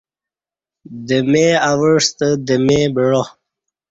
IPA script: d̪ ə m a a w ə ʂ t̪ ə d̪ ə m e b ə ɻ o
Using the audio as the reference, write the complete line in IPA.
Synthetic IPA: d̪ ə m e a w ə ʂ t̪ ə d̪ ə m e b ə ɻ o